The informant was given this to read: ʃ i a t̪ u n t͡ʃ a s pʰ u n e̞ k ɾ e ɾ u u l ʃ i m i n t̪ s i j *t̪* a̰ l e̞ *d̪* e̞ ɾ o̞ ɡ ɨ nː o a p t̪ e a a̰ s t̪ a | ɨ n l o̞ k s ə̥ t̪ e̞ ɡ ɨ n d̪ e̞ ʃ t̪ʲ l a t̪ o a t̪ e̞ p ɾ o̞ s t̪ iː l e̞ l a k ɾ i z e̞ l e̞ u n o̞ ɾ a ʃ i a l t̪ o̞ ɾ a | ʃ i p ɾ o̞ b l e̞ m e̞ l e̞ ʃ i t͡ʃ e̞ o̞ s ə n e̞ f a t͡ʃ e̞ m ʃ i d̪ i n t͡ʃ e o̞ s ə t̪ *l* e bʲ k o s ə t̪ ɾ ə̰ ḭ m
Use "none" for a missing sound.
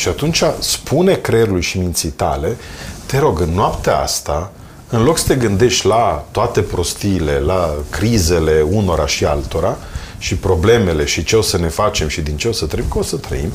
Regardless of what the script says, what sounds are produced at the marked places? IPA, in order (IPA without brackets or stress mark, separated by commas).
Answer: t̪, t̪, ɾ